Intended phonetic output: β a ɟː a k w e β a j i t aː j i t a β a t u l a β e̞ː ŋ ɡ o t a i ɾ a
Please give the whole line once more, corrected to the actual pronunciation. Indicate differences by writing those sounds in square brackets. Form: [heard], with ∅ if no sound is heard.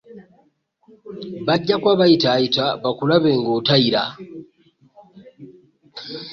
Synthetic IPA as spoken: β a ɟː a k w [a] β a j i t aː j i t a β a [k] u l a β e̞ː ŋ ɡ o t a i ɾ a